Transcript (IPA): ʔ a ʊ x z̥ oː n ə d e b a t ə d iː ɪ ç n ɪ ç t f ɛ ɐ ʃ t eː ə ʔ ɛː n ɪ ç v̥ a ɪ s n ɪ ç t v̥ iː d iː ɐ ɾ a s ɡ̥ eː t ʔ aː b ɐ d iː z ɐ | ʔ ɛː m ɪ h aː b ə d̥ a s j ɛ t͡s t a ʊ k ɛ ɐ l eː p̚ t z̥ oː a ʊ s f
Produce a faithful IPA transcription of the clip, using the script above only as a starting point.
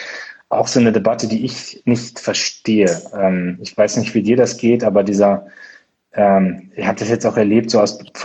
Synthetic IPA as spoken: ʔ a ʊ x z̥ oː n ə d e b a t ə d iː ɪ ç n ɪ ç t f ɛ ɐ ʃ t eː ə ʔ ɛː m ɪ ç v̥ a ɪ s n ɪ ç t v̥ iː d iː ɐ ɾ a s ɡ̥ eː t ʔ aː b ɐ d iː z ɐ | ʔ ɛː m ɪ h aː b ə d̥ a s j ɛ t͡s t a ʊ x ɛ ɐ l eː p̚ t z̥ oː a ʊ s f